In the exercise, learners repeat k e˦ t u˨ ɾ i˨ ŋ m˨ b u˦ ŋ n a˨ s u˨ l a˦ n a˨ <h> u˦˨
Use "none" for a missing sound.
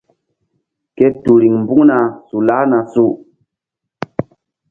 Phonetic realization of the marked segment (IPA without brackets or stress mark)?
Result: s